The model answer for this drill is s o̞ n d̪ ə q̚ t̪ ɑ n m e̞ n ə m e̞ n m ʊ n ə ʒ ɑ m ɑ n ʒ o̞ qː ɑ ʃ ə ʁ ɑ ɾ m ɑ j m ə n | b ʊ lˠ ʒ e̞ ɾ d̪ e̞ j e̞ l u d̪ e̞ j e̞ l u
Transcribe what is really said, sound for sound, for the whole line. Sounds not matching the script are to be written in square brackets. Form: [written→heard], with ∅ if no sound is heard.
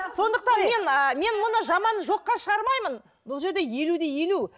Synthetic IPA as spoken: s o̞ n d̪ ə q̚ t̪ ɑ n m e̞ n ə m e̞ n m ʊ n ə ʒ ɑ m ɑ n ʒ o̞ qː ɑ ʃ ə ʁ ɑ ɾ m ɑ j m ə n | b ʊ lˠ ʒ e̞ ɾ d̪ e̞ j e̞ l u d̪ e̞ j e̞ l u